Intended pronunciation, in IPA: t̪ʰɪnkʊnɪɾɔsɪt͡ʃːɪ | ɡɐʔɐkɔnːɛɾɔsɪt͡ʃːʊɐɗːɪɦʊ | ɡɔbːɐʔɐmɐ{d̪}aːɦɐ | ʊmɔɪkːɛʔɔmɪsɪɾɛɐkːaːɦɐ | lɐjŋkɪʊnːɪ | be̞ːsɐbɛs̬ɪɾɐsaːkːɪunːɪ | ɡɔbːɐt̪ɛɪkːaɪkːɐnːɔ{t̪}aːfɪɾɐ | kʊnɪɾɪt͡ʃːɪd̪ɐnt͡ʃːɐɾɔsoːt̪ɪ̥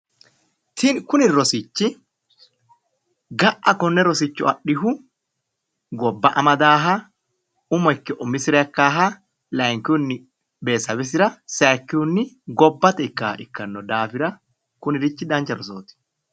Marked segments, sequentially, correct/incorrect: correct, incorrect: d̪

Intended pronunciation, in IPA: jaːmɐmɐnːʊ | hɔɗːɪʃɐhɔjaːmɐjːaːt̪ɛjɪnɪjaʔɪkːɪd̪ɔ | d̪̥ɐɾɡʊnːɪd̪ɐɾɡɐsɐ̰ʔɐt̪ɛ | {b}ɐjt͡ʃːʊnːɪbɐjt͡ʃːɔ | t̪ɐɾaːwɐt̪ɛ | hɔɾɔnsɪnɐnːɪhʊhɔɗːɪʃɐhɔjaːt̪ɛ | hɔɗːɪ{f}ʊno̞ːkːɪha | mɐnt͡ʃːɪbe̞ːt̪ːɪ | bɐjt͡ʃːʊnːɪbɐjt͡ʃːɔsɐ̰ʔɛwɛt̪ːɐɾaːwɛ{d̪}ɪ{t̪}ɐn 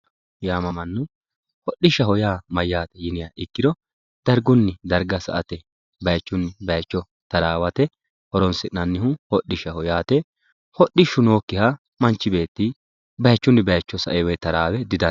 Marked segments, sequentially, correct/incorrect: correct, incorrect: ʃ, correct, incorrect: d̪

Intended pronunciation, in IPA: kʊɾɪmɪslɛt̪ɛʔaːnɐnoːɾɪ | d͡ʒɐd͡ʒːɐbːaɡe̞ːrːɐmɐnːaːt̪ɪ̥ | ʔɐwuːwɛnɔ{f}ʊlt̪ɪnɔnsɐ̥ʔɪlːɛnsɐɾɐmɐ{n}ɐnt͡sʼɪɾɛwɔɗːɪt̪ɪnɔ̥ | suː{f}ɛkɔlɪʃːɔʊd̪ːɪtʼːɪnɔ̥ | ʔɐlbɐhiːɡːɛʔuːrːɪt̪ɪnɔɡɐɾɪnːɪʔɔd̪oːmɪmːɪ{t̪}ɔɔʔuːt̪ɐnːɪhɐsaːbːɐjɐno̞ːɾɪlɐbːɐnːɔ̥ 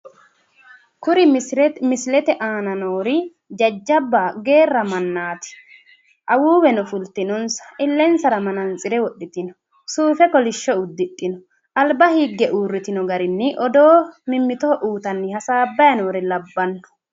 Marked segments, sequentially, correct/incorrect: correct, correct, correct, correct

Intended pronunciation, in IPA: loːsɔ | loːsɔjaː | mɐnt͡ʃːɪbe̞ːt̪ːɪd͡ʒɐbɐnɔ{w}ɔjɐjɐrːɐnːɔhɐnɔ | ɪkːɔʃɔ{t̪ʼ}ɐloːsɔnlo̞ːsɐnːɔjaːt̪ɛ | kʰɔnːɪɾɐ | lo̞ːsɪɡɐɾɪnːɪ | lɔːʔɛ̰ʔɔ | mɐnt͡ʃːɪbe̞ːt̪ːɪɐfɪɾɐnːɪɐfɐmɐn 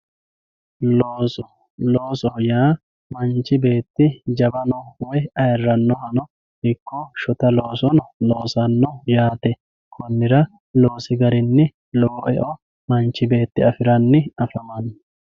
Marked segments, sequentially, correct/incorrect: correct, incorrect: t̪

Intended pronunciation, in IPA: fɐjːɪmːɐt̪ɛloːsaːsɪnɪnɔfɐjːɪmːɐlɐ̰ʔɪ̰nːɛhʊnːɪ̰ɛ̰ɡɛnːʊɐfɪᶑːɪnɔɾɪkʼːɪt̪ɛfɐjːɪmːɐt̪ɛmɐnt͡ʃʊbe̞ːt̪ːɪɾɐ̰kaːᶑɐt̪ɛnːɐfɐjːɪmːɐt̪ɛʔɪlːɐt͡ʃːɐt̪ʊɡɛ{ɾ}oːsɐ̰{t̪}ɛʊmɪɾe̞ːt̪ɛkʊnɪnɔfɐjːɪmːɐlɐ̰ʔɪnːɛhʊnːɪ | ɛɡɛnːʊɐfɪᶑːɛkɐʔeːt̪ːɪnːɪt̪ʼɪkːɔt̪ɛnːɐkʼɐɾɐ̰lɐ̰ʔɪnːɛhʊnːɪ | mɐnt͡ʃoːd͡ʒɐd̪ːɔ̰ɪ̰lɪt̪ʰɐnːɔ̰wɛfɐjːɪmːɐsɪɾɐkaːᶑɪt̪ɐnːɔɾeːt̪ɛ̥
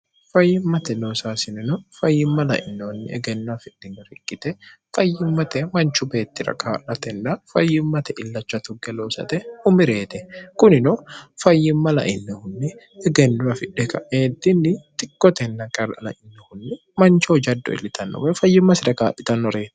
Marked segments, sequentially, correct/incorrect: incorrect: l, correct

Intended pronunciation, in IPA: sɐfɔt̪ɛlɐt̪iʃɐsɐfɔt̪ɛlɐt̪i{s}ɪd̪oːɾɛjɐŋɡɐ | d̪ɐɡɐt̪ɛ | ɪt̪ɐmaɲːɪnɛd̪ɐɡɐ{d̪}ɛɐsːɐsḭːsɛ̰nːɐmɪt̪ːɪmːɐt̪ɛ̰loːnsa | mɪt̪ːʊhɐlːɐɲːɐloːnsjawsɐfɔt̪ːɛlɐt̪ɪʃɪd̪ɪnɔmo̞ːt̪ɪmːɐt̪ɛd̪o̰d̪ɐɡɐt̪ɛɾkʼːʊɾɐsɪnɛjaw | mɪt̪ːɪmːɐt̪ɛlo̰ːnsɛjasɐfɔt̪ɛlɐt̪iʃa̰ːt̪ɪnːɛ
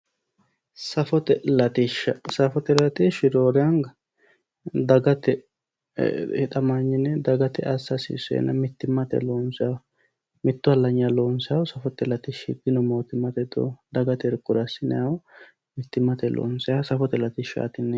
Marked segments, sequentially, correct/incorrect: incorrect: ʃ, incorrect: t̪

